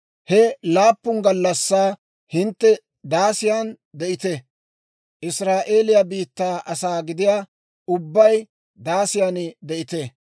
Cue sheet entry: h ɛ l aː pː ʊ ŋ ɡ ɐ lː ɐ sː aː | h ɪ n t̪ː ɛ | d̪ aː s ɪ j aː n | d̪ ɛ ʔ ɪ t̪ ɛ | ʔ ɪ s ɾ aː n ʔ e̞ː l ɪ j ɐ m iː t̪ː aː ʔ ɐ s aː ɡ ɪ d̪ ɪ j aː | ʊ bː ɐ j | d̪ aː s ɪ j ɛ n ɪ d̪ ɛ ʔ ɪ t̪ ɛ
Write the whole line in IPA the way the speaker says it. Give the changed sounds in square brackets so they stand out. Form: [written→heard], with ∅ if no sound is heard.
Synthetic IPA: h ɛ l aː pː ʊ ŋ ɡ ɐ lː ɐ sː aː | h ɪ n t̪ː ɛ | d̪ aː s ɪ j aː n | d̪ ɛ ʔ ɪ t̪ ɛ | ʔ ɪ s ɾ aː [n→∅] ʔ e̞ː l ɪ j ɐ [m→b] iː t̪ː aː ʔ ɐ s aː ɡ ɪ d̪ ɪ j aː | ʊ bː ɐ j | d̪ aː s ɪ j [ɛ→a] n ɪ d̪ ɛ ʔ ɪ t̪ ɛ